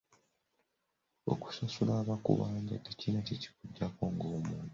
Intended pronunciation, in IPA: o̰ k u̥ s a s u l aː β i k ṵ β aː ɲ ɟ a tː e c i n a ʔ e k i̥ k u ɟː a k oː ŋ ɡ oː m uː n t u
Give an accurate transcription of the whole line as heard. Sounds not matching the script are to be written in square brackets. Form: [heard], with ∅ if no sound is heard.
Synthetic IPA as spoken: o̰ k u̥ s a s u l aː β [a] k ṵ β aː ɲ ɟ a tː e c i n a [c] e [c] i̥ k u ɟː a k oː ŋ ɡ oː m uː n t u